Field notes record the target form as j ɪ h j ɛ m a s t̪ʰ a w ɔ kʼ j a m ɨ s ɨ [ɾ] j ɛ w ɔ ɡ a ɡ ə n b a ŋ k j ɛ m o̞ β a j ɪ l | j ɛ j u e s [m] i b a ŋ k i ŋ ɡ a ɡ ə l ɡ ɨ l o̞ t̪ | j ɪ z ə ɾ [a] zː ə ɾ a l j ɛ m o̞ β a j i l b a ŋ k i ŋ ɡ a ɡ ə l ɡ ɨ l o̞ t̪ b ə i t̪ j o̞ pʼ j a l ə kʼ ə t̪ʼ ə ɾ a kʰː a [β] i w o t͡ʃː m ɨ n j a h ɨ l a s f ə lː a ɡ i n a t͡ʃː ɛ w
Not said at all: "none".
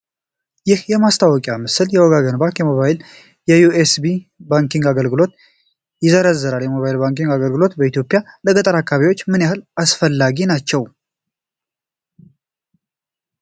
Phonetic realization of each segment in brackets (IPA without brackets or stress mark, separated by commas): l, b, ə, β